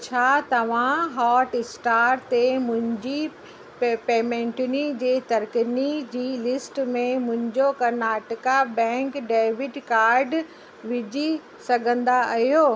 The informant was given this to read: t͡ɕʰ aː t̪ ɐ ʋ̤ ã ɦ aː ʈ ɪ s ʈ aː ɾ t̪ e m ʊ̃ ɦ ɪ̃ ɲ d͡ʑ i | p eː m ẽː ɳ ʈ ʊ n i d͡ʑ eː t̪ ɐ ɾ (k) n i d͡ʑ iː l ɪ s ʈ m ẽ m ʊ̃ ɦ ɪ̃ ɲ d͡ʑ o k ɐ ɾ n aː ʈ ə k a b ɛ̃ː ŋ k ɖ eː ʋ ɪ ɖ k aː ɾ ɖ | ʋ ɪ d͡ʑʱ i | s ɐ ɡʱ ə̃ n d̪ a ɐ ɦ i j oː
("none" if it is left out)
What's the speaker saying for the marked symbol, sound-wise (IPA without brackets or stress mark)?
k